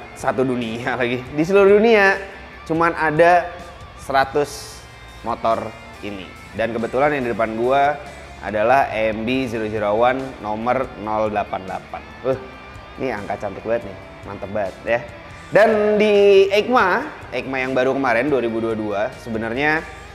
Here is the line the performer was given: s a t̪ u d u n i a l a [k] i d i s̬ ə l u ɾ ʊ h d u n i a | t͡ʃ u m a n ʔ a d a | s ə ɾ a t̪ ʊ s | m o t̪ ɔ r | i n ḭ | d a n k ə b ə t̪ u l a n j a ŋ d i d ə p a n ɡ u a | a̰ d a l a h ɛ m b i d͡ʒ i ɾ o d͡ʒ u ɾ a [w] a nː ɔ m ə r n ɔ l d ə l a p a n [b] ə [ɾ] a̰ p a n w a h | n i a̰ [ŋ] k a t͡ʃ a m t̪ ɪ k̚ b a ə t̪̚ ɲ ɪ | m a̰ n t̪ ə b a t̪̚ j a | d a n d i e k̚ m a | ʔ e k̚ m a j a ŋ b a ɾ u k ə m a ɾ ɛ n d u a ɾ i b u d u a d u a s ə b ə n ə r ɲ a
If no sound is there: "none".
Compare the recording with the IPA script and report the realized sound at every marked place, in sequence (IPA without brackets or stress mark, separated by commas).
ɡ, w, d, l, ŋ